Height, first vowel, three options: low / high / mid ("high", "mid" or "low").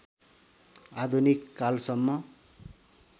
low